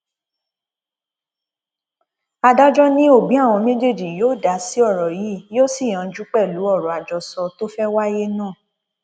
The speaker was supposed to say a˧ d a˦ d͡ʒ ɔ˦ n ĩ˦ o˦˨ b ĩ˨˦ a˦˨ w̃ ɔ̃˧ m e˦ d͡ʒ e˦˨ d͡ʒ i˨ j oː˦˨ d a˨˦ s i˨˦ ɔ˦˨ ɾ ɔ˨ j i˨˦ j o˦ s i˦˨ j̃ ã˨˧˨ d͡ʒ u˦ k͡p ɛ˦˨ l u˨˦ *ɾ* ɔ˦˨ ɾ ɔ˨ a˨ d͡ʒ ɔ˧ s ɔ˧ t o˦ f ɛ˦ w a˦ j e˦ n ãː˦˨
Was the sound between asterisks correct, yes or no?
no